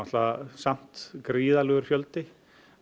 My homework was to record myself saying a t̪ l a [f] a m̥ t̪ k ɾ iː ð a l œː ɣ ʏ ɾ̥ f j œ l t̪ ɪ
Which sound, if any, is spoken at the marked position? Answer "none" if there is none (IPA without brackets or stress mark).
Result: s